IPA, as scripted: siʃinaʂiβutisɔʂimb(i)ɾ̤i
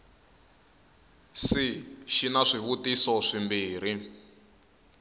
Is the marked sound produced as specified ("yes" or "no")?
no